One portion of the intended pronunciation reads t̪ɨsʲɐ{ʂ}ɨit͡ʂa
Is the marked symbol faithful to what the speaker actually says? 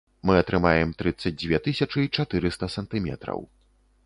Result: no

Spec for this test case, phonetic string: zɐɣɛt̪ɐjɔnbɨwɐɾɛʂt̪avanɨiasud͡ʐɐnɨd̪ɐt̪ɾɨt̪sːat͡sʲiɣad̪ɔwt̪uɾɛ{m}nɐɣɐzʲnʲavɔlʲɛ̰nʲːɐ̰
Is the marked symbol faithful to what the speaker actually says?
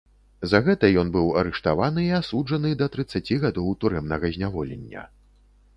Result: yes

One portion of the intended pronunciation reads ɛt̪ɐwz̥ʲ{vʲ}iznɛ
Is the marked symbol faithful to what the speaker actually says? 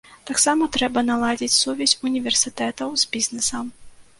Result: no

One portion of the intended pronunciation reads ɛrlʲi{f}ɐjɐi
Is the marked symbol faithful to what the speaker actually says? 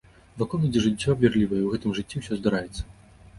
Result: no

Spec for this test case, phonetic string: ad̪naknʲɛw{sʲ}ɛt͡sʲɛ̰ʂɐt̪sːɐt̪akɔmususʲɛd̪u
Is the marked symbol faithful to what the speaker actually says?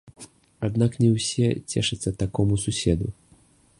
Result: yes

